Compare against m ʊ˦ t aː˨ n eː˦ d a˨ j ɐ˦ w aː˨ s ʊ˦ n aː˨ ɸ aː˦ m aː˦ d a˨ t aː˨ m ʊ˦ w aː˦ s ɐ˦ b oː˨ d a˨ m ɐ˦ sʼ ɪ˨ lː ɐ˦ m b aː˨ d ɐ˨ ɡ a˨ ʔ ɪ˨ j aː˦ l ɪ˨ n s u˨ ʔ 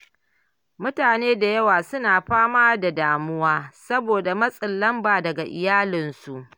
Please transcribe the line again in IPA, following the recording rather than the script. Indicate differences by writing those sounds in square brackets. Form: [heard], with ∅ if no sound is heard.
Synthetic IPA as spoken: m ʊ˦ t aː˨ n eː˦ d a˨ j ɐ˦ w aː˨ s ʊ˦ n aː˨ ɸ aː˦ m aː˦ d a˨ [d] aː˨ m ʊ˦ w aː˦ s ɐ˦ b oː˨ d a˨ m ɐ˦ sʼ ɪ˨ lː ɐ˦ m b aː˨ d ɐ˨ ɡ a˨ ʔ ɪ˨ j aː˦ l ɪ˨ n s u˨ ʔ